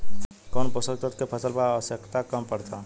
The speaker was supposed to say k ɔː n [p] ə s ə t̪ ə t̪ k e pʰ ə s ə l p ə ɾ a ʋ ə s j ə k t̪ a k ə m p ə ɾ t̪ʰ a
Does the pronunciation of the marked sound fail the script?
no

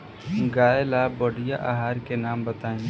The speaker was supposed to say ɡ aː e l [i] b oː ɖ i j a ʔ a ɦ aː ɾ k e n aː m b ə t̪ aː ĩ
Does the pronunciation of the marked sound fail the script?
yes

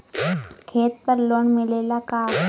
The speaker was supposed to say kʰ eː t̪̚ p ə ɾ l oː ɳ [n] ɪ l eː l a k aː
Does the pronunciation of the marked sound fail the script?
yes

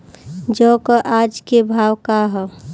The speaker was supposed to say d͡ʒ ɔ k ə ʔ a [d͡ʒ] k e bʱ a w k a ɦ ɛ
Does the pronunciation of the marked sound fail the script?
no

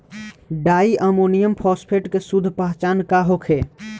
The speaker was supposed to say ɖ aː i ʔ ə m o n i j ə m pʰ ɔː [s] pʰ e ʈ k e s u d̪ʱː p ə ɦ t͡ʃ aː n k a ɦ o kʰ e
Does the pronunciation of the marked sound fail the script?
no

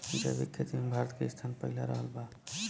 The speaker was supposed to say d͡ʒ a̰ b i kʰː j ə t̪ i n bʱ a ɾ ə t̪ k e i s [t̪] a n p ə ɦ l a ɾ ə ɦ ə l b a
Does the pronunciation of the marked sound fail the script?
yes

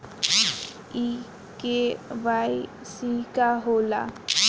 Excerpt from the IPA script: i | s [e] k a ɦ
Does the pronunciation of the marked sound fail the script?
yes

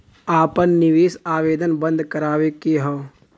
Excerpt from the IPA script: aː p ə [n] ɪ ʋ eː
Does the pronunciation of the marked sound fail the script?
yes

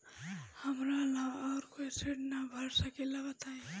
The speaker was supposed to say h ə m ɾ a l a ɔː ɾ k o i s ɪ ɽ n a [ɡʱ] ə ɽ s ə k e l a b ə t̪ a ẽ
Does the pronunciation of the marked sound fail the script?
yes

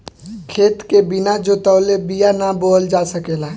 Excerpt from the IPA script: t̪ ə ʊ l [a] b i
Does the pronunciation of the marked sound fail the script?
yes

